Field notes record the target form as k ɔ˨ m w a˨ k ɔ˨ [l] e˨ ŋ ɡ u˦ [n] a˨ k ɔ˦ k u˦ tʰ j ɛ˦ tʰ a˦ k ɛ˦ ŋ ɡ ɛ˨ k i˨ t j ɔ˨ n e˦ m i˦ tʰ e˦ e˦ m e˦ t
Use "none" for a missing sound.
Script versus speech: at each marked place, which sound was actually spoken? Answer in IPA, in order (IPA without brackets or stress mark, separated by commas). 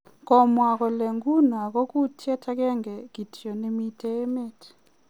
l, n